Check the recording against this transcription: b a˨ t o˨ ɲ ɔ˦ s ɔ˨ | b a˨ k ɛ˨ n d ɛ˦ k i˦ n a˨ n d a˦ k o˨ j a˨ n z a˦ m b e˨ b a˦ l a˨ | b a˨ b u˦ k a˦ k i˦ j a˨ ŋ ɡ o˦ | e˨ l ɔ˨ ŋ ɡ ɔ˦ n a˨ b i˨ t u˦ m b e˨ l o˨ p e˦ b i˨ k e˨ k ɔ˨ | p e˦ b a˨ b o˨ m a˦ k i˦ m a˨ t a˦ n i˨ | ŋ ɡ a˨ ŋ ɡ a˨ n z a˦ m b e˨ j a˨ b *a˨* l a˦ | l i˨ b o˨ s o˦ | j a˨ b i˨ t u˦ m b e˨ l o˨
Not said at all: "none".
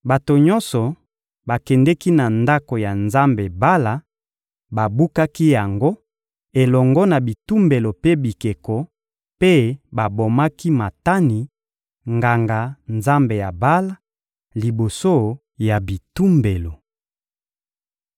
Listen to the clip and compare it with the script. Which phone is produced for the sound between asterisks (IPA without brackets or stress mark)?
a˦